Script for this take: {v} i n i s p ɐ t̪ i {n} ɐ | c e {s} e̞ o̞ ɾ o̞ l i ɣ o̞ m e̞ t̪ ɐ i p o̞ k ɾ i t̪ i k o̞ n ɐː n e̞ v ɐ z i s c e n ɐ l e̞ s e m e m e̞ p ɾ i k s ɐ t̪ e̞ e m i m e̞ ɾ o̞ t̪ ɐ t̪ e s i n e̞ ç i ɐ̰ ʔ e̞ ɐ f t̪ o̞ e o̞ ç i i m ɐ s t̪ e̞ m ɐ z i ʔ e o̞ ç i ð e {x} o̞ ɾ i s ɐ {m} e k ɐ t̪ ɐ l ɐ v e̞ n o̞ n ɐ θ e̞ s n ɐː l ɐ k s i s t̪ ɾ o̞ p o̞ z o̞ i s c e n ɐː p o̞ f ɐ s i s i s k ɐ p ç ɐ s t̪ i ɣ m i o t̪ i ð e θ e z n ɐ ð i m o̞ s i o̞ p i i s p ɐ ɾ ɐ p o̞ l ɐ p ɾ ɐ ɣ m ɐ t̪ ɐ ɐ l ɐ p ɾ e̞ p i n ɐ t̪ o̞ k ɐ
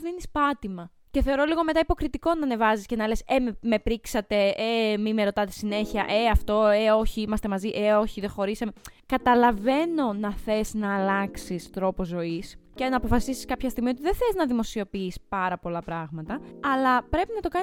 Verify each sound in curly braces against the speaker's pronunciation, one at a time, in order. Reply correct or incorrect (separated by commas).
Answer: incorrect, incorrect, incorrect, correct, correct